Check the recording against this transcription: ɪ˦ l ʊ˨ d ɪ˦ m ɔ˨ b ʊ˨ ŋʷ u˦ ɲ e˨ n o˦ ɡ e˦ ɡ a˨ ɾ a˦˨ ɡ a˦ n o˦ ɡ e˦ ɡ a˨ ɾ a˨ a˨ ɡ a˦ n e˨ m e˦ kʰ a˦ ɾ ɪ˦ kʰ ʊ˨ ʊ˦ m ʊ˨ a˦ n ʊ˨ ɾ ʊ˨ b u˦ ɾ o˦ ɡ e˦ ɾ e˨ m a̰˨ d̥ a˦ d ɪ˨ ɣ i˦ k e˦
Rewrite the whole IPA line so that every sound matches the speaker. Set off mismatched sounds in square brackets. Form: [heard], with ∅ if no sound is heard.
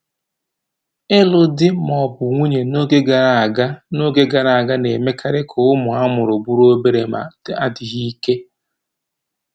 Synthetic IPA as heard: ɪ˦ l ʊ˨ d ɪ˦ m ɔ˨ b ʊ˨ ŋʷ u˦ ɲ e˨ n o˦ ɡ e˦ ɡ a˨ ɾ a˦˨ ɡ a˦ n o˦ ɡ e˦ ɡ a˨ ɾ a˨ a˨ ɡ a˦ n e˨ m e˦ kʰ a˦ ɾ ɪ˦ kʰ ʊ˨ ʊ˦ m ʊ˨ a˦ [m] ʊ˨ ɾ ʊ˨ b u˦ ɾ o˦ [b] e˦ ɾ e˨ m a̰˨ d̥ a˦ d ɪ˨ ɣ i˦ k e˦